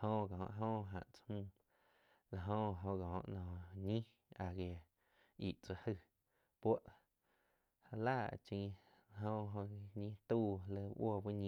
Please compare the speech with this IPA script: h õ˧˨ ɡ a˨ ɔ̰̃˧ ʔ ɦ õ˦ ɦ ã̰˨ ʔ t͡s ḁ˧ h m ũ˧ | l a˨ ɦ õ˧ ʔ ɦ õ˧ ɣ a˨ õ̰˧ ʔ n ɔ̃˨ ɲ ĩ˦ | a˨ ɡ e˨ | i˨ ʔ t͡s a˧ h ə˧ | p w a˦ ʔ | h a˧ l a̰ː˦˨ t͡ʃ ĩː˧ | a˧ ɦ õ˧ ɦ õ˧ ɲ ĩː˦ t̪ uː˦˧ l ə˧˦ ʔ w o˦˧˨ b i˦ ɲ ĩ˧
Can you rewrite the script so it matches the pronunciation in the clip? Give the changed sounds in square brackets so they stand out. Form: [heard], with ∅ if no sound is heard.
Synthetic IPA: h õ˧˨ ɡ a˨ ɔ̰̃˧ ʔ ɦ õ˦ ɦ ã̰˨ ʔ t͡s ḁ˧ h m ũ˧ | l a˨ ɦ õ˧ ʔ ɦ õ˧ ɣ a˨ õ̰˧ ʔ n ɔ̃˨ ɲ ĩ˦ | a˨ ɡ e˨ | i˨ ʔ t͡s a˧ h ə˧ | p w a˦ ʔ | h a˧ l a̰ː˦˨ t͡ʃ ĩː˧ | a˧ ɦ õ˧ ɦ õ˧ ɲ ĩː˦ t̪ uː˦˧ l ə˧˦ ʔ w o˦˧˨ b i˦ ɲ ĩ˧